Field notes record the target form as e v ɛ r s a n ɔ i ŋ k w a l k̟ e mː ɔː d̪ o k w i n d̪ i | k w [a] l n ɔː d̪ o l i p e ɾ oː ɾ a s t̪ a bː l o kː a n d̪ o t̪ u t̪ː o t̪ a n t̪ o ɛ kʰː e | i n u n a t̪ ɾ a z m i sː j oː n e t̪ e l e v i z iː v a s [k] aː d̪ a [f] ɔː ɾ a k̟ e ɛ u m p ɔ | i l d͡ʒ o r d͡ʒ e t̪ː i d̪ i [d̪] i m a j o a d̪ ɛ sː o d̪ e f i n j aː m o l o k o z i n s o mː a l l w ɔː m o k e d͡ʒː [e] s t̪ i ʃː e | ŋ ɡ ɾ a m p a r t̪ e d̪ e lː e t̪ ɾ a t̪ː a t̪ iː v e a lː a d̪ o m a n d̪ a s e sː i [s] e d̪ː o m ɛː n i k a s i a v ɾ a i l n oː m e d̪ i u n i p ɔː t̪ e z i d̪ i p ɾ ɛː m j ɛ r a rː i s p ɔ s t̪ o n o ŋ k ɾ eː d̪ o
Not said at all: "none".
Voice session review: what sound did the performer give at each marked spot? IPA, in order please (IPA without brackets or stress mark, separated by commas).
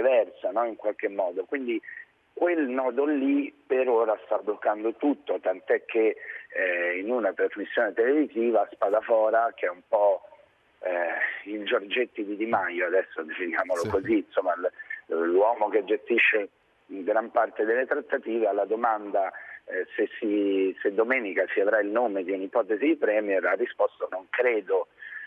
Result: e, p, f, d̪, e, s